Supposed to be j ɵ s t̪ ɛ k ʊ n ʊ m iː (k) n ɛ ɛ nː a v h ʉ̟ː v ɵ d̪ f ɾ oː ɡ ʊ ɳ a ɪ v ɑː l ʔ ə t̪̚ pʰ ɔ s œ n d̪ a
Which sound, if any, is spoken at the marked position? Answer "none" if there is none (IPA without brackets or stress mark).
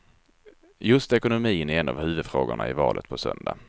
none